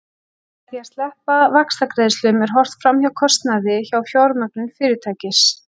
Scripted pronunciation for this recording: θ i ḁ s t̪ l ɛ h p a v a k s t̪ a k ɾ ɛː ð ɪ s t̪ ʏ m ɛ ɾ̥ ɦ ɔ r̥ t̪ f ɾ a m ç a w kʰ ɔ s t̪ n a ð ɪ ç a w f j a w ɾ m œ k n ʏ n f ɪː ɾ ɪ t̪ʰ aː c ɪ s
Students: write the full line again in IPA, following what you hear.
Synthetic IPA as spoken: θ i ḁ s t̪ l ɛ h p a v a k s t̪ a k ɾ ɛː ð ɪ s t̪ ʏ m ɛ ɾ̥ ɦ ɔ r̥ t̪ f ɾ a m ç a w kʰ ɔ s t̪ n a ð ɪ ç a w f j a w ɾ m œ k n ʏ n f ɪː ɾ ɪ t̪ʰ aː c ɪ s